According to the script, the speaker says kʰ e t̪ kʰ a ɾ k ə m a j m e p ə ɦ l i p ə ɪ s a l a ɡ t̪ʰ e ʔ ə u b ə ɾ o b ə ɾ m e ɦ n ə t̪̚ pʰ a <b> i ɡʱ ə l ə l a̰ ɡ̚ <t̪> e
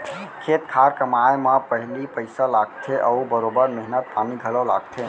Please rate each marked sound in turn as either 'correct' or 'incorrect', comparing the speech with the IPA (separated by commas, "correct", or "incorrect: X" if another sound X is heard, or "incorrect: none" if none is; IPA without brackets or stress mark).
incorrect: m, incorrect: t̪ʰ